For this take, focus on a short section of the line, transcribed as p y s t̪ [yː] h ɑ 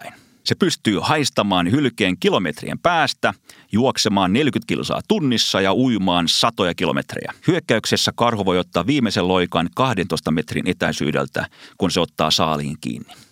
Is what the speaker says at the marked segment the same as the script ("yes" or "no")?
yes